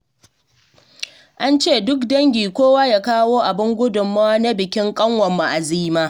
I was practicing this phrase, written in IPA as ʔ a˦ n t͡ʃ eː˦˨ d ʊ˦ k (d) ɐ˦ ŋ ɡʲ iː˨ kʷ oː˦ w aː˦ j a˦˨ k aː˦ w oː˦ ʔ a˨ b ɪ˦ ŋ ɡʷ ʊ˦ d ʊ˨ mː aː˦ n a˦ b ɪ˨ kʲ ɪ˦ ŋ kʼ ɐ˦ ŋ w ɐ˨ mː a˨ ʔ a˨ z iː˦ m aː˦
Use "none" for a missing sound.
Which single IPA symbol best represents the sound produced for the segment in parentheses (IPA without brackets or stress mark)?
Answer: d